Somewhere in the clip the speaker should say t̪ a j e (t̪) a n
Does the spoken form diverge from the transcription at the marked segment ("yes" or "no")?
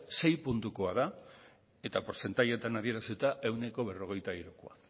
no